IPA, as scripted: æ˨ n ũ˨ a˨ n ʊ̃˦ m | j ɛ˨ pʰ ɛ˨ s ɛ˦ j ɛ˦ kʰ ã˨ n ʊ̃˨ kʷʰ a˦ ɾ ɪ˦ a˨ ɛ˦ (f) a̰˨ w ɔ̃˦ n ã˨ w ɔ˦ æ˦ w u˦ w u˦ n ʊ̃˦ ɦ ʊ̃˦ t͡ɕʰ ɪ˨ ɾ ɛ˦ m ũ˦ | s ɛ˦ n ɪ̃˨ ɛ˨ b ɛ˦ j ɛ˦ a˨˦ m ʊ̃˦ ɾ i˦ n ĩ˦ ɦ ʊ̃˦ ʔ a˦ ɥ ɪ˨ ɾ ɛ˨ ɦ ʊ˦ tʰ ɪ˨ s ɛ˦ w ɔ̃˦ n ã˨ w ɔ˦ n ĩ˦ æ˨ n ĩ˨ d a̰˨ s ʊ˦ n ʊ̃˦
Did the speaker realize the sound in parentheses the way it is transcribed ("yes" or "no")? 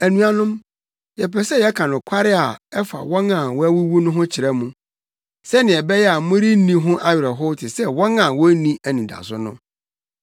yes